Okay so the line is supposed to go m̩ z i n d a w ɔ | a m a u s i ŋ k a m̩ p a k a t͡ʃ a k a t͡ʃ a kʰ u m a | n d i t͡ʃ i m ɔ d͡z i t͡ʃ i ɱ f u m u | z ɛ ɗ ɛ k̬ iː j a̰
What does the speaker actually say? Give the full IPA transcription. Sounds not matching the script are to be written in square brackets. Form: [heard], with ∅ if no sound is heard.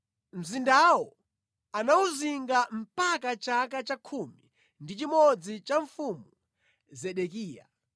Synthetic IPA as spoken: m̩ z i n d a w ɔ | a [n] a u [z] i ŋ [ɡ] a m̩ p a k a t͡ʃ a k a t͡ʃ a kʰ u m [i] | n d i t͡ʃ i m ɔ d͡z i t͡ʃ [a] ɱ f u m u | z ɛ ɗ ɛ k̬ iː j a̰